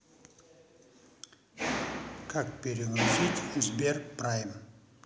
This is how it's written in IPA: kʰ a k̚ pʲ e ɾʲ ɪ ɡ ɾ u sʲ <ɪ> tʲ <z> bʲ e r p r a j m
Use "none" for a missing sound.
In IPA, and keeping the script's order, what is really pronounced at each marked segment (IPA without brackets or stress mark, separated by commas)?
i, z